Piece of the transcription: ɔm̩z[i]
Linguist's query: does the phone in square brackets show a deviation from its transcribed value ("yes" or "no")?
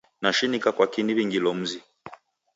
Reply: no